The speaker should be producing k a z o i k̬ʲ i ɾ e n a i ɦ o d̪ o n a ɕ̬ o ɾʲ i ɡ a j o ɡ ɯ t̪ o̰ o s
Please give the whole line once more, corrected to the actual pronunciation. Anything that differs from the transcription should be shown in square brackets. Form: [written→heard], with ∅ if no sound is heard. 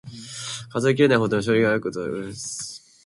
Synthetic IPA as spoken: k a z o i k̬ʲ i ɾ e n a i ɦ o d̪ o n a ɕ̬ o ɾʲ i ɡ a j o [ɡ→k] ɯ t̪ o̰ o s